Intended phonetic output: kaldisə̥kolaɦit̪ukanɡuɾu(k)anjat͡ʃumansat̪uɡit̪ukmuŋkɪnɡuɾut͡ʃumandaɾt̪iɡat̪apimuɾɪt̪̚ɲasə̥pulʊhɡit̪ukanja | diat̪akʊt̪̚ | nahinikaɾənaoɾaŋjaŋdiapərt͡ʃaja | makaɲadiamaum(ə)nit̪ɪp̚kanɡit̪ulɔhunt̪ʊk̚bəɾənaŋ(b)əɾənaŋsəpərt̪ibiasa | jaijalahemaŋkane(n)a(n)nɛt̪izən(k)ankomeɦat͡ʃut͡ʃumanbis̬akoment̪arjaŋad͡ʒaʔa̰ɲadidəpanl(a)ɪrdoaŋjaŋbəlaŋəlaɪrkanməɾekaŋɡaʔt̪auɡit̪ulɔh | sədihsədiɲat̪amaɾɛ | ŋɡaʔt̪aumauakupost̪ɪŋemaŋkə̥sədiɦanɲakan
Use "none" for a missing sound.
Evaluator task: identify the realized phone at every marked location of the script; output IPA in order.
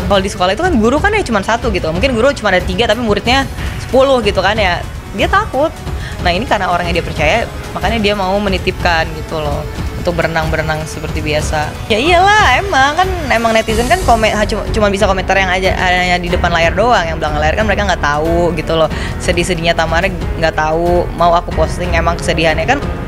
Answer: k, ə, b, m, ŋ, k, a

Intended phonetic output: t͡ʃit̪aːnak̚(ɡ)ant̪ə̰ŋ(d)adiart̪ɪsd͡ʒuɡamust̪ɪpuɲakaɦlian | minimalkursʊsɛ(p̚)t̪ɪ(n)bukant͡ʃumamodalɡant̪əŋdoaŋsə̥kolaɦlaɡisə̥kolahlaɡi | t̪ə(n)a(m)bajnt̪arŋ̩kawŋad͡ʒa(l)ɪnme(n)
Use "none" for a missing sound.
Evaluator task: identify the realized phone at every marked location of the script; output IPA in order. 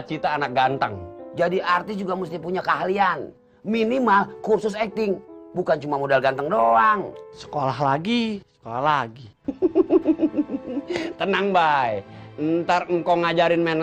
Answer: ɡ, d͡ʒ, k̚, ŋ, n, ŋ, ɾ, n

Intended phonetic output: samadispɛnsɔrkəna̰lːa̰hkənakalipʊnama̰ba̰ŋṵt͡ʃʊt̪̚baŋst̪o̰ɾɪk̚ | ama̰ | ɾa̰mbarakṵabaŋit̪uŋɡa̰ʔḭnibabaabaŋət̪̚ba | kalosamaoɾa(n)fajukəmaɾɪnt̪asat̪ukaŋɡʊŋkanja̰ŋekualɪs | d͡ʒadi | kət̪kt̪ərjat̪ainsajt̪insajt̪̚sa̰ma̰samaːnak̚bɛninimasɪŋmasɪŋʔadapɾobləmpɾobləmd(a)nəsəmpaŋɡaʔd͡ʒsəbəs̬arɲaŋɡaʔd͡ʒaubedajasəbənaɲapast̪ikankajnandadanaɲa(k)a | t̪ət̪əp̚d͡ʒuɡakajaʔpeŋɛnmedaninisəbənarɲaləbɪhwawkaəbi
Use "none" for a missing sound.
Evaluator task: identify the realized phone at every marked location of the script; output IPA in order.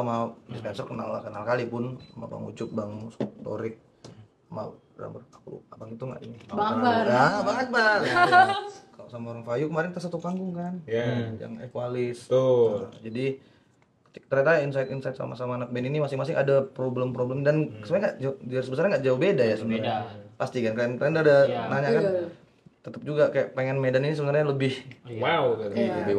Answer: ŋ, a, k

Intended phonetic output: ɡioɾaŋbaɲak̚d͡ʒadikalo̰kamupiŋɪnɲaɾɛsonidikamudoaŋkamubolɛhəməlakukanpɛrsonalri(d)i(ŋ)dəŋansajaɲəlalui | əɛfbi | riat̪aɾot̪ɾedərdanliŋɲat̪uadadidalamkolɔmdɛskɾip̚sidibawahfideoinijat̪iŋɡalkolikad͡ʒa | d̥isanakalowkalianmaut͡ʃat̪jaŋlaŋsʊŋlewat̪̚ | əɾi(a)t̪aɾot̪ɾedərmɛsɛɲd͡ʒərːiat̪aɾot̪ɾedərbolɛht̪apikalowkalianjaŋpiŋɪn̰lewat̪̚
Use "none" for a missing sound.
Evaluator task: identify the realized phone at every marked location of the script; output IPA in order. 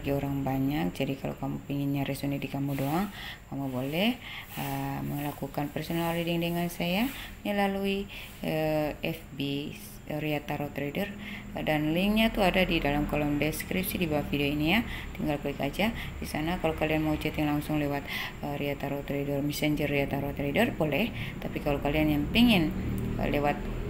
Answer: d, ŋ, a

